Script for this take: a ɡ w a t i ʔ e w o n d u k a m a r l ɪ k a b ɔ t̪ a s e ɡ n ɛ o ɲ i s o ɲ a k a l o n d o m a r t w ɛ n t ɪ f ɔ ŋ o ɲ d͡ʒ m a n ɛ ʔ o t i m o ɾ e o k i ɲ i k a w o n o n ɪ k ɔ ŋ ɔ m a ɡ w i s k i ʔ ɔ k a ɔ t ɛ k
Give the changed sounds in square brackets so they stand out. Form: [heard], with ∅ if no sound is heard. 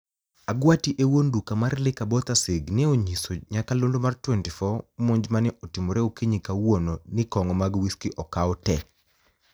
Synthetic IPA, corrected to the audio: a ɡ w a t i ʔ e w o n d u k a m a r l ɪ k a b ɔ t̪ a s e ɡ n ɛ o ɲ i s o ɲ a k a l o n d o m a r t w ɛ n t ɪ f ɔ [m] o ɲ d͡ʒ m a n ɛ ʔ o t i m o ɾ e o k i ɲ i k a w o n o n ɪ k ɔ ŋ ɔ m a ɡ w i s k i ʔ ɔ k a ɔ t ɛ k